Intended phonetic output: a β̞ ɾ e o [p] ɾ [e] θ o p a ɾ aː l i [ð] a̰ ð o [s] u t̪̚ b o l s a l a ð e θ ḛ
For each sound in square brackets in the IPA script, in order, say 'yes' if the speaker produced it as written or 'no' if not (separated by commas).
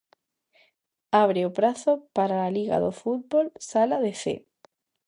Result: yes, no, no, no